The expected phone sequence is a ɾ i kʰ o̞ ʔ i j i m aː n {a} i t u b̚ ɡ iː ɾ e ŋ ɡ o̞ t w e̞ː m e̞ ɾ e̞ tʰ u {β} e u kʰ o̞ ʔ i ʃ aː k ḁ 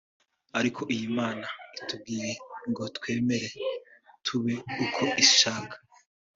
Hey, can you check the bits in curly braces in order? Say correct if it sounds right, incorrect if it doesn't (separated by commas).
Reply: correct, correct